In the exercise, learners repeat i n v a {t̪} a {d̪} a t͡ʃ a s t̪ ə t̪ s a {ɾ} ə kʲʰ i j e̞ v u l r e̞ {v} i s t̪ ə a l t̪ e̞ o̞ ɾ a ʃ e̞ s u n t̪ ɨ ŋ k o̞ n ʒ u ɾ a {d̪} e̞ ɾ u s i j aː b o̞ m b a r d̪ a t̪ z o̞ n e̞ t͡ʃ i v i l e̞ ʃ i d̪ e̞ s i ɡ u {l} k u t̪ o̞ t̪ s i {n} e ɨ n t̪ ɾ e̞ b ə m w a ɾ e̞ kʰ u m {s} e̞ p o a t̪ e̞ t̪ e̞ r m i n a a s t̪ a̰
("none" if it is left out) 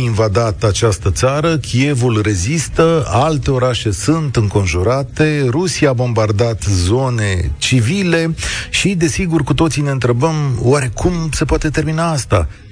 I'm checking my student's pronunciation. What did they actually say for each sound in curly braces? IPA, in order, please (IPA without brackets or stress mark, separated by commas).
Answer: d̪, t̪, ɾ, z, t̪, r, n, s